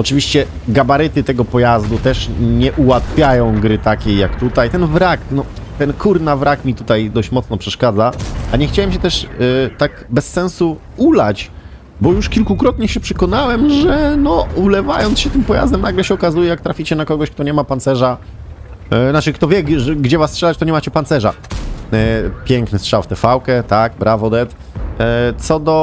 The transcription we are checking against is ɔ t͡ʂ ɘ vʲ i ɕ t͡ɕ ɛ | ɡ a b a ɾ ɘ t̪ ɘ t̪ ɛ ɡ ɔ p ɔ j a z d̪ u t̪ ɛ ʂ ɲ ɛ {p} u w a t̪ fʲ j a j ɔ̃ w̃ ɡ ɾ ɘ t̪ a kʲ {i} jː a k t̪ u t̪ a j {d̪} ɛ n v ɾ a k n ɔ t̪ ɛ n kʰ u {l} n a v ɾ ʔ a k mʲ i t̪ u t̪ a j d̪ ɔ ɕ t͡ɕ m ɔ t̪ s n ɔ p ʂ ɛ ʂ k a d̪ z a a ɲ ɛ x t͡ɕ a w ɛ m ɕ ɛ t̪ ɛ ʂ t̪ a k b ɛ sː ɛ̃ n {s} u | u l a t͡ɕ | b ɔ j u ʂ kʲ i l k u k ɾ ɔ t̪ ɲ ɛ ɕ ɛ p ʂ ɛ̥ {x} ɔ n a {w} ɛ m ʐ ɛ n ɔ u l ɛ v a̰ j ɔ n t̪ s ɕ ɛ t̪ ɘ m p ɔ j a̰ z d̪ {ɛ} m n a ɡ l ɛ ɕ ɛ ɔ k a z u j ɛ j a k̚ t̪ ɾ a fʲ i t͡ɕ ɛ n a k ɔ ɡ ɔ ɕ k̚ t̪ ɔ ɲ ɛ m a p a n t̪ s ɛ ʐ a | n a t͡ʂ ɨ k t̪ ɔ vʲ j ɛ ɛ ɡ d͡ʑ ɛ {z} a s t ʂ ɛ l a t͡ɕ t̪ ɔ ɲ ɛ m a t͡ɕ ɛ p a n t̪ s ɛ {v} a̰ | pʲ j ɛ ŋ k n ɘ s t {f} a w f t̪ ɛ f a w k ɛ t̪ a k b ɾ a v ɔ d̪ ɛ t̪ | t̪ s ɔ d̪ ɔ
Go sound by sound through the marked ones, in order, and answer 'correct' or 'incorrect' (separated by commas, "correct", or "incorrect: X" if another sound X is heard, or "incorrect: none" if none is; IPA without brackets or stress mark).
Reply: incorrect: ʔ, incorrect: e, incorrect: t̪, incorrect: ɾ, correct, incorrect: k, correct, correct, incorrect: v, incorrect: ʐ, incorrect: ʂ